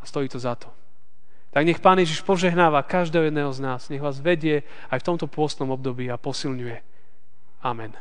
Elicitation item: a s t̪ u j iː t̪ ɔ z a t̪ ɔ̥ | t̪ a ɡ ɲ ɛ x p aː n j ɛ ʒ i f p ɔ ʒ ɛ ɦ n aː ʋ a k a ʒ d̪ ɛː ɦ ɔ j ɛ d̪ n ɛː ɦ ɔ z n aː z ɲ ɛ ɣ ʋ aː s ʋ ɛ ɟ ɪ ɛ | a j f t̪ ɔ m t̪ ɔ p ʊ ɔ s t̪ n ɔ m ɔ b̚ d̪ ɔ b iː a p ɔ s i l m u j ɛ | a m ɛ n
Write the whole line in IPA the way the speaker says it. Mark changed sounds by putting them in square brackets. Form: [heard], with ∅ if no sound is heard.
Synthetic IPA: a s t̪ [ɔ] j iː t̪ ɔ z a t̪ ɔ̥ | t̪ a ɡ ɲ ɛ x p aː n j ɛ ʒ i [ʃ] p ɔ ʒ ɛ ɦ n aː ʋ a k a ʒ d̪ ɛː ɦ ɔ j ɛ d̪ n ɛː ɦ ɔ z n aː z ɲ ɛ ɣ ʋ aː [z] ʋ ɛ ɟ ɪ ɛ | a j f t̪ ɔ m t̪ ɔ p ʊ ɔ s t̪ n ɔ m ɔ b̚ d̪ ɔ b iː a p ɔ s i l [ɲ] u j ɛ | a m ɛ n